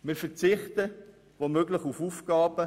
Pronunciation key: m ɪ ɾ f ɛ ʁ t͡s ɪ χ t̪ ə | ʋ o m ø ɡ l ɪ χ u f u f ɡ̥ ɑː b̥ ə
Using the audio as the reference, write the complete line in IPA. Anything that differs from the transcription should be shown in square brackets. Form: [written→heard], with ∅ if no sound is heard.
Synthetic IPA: m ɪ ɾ f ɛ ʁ t͡s ɪ χ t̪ ə | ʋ o m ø ɡ l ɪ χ u f u f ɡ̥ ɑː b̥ ə